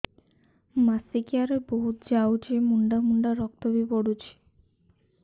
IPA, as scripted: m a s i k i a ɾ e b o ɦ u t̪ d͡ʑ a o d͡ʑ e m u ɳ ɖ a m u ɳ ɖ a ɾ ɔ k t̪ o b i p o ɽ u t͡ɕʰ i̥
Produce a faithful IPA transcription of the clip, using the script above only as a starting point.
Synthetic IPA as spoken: m a s i k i a ɾ e b o ɦ u t̪ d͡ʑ a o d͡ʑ e m u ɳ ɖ a m u ɳ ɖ a ɾ ɔ k t̪ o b i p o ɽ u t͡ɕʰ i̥